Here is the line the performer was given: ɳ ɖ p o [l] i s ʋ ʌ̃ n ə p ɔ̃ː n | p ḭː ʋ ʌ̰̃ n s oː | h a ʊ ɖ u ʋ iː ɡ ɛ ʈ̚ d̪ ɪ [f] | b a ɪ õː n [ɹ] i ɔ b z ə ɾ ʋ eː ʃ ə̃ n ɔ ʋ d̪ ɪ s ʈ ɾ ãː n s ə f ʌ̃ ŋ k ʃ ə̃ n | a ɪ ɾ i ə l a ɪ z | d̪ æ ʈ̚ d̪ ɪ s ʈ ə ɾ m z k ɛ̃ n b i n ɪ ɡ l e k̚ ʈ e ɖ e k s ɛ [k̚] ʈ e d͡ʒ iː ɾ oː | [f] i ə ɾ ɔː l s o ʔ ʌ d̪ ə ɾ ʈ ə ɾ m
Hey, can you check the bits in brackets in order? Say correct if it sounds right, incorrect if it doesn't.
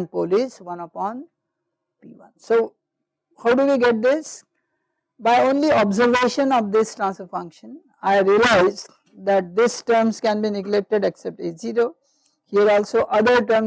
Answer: correct, incorrect: s, incorrect: l, incorrect: p̚, incorrect: h

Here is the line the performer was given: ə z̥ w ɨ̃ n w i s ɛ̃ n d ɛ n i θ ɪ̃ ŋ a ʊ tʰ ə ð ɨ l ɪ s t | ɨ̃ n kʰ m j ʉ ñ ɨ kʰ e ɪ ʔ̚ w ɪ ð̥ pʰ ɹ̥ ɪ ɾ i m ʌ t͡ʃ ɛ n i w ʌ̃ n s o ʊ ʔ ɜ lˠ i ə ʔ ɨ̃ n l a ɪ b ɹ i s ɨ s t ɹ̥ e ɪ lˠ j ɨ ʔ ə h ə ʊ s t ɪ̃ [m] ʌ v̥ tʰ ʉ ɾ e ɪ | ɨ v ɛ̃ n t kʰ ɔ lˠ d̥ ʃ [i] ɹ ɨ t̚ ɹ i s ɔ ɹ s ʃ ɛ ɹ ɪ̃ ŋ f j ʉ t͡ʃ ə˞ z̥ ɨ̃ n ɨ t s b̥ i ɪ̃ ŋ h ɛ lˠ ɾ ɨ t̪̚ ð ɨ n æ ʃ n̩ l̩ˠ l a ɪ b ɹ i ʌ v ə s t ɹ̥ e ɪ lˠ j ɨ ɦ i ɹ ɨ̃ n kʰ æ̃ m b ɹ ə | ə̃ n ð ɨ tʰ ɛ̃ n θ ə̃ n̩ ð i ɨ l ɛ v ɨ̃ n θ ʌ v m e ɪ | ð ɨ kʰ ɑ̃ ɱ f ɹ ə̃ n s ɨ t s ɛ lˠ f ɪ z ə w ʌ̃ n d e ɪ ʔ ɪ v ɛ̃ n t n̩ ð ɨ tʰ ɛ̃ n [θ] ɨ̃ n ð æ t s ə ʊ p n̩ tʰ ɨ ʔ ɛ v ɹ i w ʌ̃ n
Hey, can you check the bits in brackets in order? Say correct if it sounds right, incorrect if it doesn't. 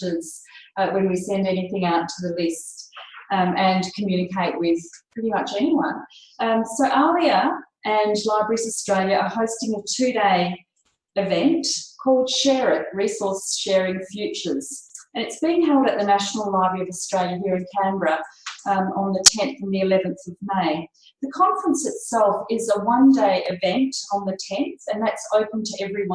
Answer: incorrect: ŋ, incorrect: ɛ, correct

